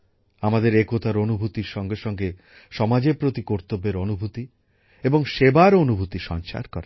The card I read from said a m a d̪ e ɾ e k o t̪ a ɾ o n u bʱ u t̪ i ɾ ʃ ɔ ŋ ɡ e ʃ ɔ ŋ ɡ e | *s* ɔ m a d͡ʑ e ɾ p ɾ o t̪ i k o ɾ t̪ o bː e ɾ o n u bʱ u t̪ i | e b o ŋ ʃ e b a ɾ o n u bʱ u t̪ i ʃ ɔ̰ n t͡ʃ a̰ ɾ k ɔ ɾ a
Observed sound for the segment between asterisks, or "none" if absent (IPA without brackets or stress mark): ʃ